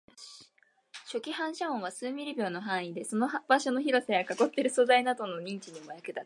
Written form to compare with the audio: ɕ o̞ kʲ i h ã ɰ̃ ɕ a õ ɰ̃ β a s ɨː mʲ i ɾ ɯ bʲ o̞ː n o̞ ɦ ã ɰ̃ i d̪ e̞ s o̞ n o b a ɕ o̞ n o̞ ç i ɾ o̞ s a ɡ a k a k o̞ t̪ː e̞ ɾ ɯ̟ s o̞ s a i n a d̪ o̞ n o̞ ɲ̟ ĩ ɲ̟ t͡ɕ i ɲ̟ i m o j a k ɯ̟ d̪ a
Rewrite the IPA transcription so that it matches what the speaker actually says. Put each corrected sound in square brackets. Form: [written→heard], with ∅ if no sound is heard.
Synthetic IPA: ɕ o̞ kʲ i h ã ɰ̃ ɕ a õ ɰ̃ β a s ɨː mʲ i ɾ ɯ bʲ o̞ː n o̞ ɦ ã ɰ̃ i d̪ e̞ s o̞ n o b a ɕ o̞ n o̞ ç i ɾ o̞ s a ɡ a k a k o̞ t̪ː e̞ ɾ ɯ̟ s o̞ [s→z] a i n a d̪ o̞ n o̞ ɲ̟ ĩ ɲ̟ t͡ɕ i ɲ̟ i m o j a k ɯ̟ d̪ a